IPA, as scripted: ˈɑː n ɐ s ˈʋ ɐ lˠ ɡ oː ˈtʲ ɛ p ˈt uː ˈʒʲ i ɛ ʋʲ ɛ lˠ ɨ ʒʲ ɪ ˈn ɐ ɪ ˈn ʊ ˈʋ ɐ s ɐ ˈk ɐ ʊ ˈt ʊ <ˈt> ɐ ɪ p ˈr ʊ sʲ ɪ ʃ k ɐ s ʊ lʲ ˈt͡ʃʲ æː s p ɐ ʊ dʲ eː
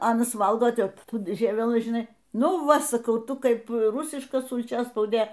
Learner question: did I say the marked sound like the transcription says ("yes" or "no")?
no